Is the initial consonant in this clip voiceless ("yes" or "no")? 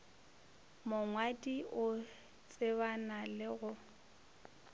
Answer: no